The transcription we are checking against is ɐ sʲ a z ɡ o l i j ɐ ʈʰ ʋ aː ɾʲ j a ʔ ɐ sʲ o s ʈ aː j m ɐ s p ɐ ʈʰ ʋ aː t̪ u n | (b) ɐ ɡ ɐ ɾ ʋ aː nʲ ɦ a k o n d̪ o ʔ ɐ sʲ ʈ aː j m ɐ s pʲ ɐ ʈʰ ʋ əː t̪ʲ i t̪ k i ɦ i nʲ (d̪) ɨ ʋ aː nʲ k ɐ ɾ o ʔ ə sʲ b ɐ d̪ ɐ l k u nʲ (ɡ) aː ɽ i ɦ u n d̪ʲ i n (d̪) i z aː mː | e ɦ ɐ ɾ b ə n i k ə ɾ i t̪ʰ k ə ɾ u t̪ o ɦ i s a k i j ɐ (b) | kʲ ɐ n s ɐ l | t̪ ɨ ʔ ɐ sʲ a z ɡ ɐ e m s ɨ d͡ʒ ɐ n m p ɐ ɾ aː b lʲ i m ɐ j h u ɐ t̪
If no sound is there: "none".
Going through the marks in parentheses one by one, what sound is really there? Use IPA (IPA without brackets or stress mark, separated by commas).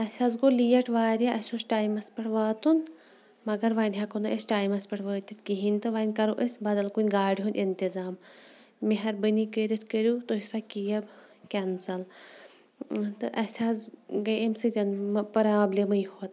m, t̪, ɡ, t̪, b